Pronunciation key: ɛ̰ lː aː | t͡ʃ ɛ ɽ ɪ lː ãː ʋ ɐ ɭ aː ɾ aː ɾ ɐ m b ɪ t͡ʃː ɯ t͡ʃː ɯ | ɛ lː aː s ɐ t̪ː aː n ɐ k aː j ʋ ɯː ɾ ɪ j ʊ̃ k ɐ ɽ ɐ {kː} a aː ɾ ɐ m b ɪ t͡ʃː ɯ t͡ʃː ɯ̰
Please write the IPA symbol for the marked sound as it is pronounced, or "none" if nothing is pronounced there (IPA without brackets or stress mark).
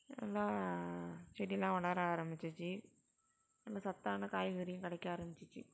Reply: kː